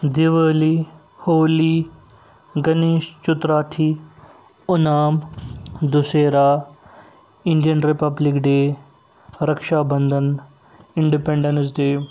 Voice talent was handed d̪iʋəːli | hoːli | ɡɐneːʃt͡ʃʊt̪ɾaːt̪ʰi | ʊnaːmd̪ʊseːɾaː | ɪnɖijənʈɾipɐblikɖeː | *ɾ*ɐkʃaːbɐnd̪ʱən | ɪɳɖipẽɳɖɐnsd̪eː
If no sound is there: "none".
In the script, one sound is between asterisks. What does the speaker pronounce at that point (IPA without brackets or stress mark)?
ɾ